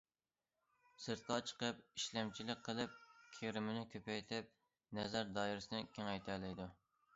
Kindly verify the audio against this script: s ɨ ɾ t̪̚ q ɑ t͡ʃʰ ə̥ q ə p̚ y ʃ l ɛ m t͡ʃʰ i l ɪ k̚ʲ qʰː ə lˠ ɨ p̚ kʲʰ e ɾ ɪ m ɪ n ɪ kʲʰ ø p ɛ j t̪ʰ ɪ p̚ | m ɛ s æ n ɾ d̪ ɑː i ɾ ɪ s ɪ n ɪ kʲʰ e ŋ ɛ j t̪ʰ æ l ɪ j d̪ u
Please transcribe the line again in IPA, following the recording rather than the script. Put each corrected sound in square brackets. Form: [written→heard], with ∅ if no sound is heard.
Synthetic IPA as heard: s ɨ ɾ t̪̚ q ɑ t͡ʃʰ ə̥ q ə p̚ [y→i] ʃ l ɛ m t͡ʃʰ i l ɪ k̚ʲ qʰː ə lˠ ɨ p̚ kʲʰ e ɾ ɪ m ɪ n ɪ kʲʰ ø p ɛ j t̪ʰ ɪ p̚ | [m→n] ɛ [s→z] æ [n→∅] ɾ d̪ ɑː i ɾ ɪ s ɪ n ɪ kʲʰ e ŋ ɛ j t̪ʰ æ l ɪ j d̪ u

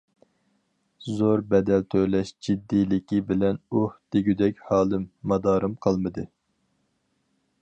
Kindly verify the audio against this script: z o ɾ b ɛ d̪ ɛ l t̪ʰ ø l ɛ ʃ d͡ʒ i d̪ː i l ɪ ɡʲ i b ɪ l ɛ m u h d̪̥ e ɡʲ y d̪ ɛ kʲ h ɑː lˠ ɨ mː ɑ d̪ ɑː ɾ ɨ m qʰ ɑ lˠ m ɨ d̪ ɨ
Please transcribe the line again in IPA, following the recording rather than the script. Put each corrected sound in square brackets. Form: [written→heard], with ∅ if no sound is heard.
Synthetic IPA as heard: z o ɾ b ɛ d̪ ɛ l t̪ʰ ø l ɛ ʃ d͡ʒ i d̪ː i l ɪ [ɡʲ→kʲ] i b ɪ l ɛ [m→n] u h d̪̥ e ɡʲ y d̪ ɛ kʲ h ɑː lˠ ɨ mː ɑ d̪ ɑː ɾ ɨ m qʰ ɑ lˠ m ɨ d̪ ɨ

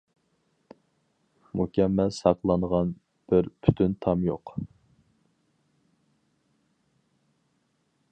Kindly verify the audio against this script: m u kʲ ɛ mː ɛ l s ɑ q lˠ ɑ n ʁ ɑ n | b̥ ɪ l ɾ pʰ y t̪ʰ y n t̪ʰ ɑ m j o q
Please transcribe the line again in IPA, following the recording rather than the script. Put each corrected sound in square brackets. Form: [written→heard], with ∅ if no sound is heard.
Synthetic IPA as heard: m u kʲ ɛ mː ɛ l s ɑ q lˠ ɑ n ʁ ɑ n | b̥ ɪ [l→∅] ɾ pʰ y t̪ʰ y n t̪ʰ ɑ m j o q

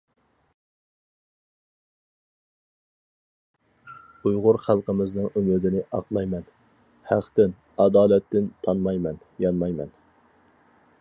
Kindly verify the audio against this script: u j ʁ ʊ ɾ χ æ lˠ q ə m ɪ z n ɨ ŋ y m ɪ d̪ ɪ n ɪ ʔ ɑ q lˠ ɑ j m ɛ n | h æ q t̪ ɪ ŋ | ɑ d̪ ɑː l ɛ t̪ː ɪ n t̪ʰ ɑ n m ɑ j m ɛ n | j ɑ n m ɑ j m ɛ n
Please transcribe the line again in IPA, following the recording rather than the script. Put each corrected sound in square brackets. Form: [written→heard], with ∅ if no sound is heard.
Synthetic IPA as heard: u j ʁ ʊ ɾ χ æ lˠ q ə m ɪ z n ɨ ŋ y m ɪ d̪ ɪ n ɪ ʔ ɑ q lˠ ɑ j m ɛ n | h æ q t̪ ɪ [ŋ→n] | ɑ d̪ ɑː l ɛ t̪ː ɪ n t̪ʰ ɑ n m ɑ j m ɛ n | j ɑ n m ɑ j m ɛ n

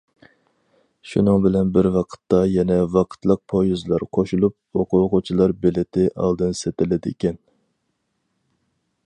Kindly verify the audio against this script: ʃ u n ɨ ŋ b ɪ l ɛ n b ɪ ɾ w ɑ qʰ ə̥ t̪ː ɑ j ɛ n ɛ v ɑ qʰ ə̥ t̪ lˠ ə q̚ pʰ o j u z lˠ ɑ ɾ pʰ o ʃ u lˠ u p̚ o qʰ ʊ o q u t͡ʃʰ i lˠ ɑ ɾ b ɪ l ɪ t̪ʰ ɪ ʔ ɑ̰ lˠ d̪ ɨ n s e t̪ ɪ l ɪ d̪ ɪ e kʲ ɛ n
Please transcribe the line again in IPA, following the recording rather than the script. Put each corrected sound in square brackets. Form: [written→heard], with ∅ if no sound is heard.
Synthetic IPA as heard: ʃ u n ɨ ŋ b ɪ l ɛ n b ɪ ɾ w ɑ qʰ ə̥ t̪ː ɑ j ɛ n ɛ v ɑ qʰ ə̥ t̪ lˠ ə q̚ pʰ o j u z lˠ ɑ ɾ [pʰ→qʰ] o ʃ u lˠ u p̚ o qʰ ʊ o q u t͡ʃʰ i lˠ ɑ ɾ b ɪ l ɪ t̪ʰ ɪ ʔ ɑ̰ lˠ d̪ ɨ n s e t̪ ɪ l ɪ d̪ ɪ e kʲ ɛ n

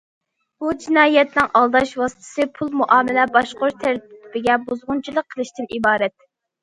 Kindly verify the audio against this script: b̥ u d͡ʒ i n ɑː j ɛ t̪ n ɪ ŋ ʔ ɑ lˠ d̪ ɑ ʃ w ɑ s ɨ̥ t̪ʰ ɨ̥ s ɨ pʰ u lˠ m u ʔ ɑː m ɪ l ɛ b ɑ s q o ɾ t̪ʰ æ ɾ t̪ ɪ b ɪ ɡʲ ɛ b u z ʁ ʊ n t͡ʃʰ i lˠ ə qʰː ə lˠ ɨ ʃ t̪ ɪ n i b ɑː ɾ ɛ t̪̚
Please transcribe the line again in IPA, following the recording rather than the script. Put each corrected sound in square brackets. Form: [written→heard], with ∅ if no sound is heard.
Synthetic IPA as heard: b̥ u d͡ʒ i n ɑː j ɛ t̪ n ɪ ŋ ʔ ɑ lˠ d̪ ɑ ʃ w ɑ s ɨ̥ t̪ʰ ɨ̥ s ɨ pʰ u lˠ m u ʔ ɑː m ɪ l ɛ b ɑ [s→ʃ] q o ɾ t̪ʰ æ ɾ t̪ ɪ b ɪ ɡʲ ɛ b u z ʁ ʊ n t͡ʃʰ i lˠ ə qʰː ə lˠ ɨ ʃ t̪ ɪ n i b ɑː ɾ ɛ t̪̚

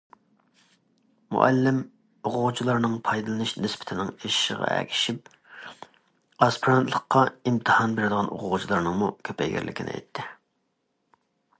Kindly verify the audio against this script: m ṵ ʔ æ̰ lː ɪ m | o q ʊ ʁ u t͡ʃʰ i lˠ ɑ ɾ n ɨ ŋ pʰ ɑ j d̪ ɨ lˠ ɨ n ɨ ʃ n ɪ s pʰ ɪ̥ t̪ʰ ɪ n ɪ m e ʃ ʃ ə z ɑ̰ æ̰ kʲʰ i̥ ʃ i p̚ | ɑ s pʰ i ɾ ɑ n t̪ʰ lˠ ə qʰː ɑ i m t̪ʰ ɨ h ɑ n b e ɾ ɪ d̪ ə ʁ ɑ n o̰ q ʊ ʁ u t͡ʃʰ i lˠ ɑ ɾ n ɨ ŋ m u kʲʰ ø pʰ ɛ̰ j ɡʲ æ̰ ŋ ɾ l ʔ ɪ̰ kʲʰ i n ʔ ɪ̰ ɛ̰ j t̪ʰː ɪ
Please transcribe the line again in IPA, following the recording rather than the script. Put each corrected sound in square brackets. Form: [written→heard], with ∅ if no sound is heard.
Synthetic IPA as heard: m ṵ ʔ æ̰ lː ɪ m | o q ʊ ʁ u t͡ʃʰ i lˠ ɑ ɾ n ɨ ŋ pʰ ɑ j d̪ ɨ lˠ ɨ n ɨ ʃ n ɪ s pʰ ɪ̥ t̪ʰ ɪ n ɪ [m→ŋ] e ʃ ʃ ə [z→ʁ] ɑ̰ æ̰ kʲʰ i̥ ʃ i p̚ | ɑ s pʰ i ɾ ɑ n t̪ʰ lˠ ə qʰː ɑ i m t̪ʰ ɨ h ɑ n b e ɾ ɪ d̪ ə ʁ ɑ n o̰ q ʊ ʁ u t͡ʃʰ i lˠ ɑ ɾ n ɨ ŋ m u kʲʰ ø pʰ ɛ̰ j ɡʲ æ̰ [ŋ→∅] ɾ l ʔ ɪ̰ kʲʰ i n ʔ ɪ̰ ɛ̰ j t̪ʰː ɪ

